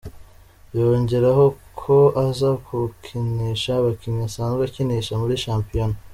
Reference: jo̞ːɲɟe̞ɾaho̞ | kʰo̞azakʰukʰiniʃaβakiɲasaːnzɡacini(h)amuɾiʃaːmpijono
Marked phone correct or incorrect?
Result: incorrect